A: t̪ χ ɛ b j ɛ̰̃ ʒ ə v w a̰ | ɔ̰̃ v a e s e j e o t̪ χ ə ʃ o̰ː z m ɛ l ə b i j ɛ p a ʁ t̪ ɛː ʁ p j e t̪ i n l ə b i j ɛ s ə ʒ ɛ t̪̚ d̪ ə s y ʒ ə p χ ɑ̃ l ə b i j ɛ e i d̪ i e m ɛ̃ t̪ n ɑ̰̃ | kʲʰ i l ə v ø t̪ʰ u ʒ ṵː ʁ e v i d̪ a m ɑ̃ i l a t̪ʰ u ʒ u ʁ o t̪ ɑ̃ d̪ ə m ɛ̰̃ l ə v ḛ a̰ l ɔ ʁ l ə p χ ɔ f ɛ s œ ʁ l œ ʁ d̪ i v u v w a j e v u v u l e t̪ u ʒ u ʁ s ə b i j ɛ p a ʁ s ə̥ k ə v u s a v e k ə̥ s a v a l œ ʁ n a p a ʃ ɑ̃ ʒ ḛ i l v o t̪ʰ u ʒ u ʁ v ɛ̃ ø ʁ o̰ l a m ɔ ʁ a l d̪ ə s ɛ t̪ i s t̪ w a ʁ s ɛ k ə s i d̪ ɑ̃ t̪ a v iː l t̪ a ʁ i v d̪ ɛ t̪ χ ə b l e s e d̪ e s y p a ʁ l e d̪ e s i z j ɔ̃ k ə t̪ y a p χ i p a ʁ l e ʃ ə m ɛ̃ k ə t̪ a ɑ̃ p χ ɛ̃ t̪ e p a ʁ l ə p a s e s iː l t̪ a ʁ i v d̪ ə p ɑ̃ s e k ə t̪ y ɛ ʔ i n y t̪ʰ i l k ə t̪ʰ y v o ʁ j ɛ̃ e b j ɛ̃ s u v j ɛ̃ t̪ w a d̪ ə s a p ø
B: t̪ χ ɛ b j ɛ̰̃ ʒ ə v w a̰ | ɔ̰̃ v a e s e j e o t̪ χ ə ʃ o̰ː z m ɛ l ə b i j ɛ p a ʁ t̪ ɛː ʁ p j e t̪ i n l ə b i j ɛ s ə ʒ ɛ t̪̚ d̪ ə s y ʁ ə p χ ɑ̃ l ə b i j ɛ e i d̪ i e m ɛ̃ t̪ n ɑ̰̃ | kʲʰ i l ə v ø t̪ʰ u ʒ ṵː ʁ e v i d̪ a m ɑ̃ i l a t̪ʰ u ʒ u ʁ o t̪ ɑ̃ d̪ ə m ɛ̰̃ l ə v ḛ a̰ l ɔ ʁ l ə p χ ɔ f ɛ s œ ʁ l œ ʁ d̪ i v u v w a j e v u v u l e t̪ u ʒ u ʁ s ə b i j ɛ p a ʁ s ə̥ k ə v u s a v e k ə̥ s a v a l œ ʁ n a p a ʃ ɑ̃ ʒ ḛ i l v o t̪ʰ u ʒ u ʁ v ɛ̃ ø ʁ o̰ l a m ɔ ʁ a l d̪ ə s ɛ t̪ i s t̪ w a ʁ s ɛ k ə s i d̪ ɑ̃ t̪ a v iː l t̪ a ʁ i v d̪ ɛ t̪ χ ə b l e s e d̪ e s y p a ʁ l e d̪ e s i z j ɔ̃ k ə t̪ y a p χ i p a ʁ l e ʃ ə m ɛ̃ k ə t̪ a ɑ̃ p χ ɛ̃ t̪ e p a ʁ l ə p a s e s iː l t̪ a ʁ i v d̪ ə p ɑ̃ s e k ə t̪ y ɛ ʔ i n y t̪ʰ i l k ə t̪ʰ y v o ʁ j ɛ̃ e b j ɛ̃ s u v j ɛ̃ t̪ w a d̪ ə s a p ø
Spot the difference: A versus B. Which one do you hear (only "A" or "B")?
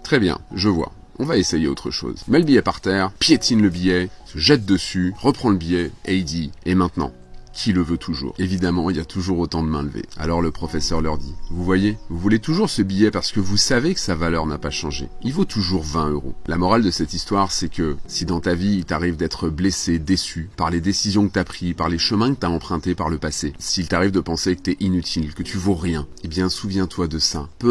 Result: B